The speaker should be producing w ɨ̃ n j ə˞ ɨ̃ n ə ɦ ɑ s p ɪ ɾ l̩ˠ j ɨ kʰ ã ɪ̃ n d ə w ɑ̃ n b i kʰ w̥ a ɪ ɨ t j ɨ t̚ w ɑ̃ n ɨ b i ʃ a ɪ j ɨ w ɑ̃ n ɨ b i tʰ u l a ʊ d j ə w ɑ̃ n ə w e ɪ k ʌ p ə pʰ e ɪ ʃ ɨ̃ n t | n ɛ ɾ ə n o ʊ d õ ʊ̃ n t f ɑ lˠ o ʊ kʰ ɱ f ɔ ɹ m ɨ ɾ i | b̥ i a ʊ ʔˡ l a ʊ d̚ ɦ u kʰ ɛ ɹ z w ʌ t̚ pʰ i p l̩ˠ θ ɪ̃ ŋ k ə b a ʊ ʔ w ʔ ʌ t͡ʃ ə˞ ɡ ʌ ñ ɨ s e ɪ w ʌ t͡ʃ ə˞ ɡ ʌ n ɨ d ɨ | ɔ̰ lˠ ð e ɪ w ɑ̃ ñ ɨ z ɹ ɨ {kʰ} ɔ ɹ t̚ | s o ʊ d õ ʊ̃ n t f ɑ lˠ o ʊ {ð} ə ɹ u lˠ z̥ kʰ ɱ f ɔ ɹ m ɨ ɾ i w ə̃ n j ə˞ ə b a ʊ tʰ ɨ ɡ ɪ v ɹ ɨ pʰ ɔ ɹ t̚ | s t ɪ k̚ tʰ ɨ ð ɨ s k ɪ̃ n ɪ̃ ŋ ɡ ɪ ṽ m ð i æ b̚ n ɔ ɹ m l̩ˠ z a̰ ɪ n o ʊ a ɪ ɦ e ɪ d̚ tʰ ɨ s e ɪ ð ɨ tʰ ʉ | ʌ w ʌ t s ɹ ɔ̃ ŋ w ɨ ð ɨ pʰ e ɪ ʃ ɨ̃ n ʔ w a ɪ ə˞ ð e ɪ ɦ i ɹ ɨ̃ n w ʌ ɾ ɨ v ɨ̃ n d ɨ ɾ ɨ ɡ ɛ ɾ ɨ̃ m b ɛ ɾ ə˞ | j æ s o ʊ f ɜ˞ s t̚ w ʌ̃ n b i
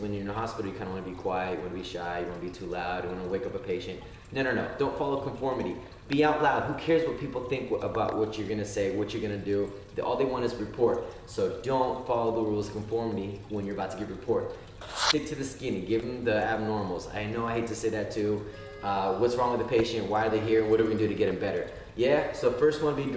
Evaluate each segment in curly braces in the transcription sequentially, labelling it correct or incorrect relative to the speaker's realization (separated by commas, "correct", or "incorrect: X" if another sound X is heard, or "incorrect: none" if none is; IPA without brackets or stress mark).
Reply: incorrect: pʰ, correct